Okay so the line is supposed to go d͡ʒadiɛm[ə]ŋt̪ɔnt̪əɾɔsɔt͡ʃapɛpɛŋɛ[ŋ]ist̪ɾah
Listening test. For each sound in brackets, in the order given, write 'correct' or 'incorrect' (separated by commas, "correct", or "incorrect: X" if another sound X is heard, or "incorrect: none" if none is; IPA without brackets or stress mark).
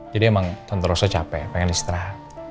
incorrect: a, incorrect: n